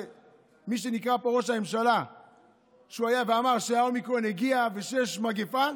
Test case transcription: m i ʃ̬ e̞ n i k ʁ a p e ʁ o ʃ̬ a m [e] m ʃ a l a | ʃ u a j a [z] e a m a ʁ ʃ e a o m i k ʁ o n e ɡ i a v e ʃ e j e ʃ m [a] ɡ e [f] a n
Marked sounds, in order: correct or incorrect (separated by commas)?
correct, incorrect, correct, correct